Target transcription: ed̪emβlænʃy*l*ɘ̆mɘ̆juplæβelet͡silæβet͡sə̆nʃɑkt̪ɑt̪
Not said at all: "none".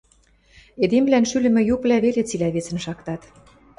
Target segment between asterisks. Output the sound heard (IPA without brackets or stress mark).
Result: l